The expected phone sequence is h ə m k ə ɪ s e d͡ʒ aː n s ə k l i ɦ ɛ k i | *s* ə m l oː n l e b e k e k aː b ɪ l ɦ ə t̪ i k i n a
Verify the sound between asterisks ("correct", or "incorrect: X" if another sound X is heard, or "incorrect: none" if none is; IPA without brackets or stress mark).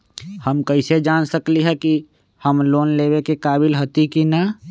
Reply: incorrect: h